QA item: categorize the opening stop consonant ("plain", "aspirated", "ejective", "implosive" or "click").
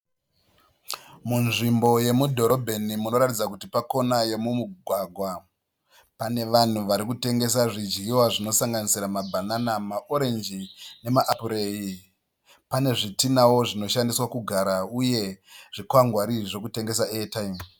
plain